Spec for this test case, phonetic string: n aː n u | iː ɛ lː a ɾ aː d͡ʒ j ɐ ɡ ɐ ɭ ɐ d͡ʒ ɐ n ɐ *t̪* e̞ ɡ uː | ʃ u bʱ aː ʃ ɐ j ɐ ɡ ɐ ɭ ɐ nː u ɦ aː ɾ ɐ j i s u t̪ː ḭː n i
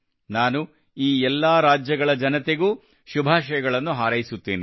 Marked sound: correct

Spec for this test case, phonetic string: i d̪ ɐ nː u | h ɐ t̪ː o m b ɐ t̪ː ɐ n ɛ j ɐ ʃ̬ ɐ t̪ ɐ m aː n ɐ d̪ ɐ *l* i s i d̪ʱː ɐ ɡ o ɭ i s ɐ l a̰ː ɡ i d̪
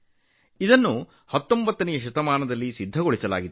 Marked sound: incorrect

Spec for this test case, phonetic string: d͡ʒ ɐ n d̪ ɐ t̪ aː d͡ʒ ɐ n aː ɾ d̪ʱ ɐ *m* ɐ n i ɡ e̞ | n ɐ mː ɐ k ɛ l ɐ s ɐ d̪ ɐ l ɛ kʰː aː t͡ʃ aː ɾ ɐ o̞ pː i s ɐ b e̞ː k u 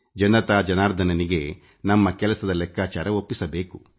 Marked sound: incorrect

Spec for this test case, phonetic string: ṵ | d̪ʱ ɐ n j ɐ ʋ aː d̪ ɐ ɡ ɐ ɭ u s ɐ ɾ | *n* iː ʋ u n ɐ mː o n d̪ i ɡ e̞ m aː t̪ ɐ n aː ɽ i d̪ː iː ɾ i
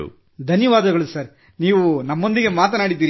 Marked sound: correct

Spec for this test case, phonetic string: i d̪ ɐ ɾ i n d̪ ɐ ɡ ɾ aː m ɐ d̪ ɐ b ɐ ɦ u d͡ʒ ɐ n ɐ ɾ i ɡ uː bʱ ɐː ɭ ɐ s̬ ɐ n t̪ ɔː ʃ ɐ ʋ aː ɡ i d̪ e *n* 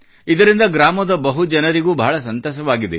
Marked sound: incorrect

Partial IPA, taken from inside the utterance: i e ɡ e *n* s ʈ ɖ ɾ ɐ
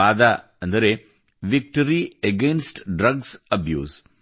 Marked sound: correct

